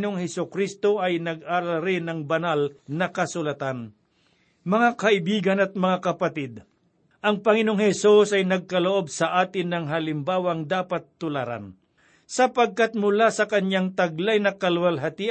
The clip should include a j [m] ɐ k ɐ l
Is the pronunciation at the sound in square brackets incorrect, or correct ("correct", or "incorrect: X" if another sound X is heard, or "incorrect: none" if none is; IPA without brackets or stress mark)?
incorrect: n